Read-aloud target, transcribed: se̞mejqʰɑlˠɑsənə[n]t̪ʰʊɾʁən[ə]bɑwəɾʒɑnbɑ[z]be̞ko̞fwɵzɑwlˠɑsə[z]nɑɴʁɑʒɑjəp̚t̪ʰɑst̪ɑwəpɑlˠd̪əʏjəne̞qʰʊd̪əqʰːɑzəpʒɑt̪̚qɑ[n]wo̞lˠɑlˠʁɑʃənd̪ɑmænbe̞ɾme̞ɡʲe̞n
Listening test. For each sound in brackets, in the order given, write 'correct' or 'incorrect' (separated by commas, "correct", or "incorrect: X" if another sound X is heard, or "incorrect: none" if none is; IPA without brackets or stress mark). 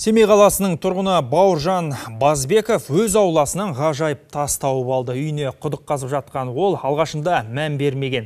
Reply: incorrect: ɴ, correct, correct, incorrect: none, correct